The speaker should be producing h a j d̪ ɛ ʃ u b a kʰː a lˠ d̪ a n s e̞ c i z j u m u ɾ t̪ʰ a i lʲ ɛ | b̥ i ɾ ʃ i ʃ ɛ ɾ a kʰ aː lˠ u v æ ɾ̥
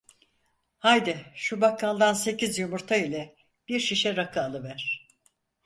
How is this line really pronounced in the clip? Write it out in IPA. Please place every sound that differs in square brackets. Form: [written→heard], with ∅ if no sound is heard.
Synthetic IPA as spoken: h a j d̪ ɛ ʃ u b a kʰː a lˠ d̪ a n s e̞ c i z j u m u ɾ t̪ʰ a i lʲ ɛ | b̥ i ɾ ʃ i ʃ ɛ ɾ a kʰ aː lˠ [u→ɯ] v æ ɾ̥